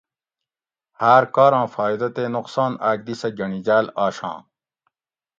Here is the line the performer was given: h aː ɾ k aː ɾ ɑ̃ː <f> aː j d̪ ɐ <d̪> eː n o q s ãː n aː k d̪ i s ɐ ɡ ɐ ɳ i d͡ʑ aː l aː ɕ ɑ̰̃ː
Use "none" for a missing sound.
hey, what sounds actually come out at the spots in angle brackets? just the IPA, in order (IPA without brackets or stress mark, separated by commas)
f, t̪